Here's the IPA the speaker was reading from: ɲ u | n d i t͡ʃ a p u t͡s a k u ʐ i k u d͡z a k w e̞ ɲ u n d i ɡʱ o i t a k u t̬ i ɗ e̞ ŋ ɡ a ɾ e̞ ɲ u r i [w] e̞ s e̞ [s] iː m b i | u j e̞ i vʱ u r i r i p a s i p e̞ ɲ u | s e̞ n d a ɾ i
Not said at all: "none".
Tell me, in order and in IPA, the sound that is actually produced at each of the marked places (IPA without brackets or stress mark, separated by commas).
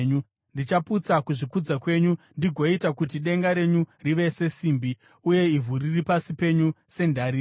ʋ, s